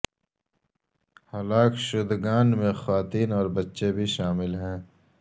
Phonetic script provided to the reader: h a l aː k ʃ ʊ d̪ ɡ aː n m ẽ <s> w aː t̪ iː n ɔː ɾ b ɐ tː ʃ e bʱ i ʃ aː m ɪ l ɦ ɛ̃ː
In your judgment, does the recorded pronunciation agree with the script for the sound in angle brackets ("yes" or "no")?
no